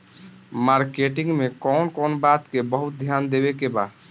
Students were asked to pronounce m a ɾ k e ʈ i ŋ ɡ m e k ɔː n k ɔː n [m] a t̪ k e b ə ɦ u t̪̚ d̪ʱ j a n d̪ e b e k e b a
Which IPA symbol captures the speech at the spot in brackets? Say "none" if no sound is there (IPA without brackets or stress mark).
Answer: b